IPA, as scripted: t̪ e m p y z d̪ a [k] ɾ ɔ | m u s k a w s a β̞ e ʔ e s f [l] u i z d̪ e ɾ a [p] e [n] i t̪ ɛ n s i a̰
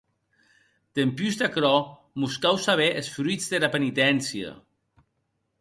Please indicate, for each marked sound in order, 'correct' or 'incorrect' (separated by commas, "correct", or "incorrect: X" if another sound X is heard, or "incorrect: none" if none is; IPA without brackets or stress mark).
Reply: correct, incorrect: ɾ, correct, correct